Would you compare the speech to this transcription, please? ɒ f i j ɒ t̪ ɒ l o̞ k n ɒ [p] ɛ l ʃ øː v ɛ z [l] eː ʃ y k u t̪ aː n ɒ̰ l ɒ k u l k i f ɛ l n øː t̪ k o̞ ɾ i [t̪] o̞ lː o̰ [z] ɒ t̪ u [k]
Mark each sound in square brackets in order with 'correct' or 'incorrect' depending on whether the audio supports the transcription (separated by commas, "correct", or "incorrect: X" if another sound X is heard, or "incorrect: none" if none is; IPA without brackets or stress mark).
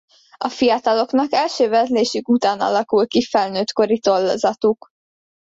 incorrect: k, correct, correct, correct, correct